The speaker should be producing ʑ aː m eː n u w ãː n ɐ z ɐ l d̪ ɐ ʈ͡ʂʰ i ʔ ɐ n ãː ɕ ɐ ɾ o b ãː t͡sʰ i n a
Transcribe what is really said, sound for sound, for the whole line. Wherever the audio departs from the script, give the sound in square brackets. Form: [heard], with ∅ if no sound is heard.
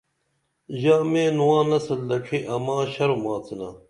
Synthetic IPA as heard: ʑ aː m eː n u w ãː n ɐ [s] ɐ l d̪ ɐ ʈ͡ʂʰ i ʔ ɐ [m] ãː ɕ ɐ ɾ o [m] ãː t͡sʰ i n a